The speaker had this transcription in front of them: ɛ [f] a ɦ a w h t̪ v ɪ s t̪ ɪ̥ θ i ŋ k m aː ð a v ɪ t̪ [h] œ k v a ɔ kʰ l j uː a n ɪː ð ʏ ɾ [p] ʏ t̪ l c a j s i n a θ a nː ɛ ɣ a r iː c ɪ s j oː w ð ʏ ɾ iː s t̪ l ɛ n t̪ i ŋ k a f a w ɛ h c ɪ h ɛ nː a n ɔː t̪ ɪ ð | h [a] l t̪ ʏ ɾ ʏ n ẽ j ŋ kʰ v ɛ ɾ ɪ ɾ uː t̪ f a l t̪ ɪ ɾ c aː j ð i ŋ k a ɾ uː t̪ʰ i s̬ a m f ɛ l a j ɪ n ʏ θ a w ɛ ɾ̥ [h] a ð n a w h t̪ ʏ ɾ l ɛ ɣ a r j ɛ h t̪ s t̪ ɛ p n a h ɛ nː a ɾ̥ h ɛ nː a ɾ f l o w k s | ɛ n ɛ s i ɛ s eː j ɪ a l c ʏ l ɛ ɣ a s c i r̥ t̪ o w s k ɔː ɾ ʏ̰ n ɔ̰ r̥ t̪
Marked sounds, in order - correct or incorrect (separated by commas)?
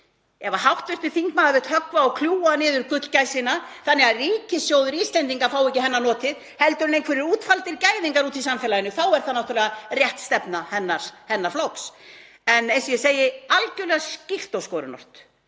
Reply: incorrect, correct, incorrect, incorrect, incorrect